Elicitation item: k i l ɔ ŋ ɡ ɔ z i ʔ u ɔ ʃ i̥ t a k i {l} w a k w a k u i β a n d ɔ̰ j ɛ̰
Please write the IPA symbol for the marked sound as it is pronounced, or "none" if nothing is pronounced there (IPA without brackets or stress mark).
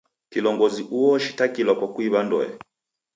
l